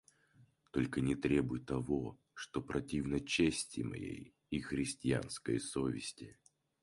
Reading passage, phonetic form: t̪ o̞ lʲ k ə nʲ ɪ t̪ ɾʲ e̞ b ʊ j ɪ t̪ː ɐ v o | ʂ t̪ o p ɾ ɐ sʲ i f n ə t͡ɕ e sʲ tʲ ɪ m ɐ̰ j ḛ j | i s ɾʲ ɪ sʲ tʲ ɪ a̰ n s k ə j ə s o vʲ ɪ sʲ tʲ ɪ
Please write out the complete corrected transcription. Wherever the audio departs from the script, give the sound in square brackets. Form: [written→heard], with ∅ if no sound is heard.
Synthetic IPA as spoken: t̪ o̞ lʲ k ə nʲ ɪ t̪ ɾʲ e̞ b ʊ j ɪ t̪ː ɐ v o | ʂ t̪ o p ɾ ɐ [sʲ→tʲ] i [f→v] n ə t͡ɕ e sʲ tʲ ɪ m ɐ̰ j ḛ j | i [s→x] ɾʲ ɪ sʲ tʲ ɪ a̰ n s k ə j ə s o vʲ ɪ sʲ tʲ ɪ